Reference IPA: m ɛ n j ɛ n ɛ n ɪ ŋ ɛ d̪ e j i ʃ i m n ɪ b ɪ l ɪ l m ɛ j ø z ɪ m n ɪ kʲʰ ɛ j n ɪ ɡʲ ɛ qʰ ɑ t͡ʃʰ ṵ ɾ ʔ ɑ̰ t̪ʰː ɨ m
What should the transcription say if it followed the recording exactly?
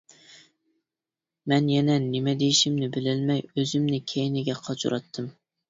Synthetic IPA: m ɛ n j ɛ n ɛ n ɪ m ɛ d̪ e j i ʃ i m n ɪ b ɪ l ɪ l m ɛ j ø z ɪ m n ɪ kʲʰ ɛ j n ɪ ɡʲ ɛ qʰ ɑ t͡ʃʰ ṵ ɾ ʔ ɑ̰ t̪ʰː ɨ m